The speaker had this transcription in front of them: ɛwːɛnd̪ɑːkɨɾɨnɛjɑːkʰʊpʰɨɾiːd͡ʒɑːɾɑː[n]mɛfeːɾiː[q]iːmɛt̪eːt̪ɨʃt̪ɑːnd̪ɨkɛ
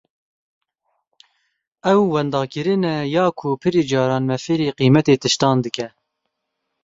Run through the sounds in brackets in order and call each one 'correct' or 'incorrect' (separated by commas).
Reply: correct, correct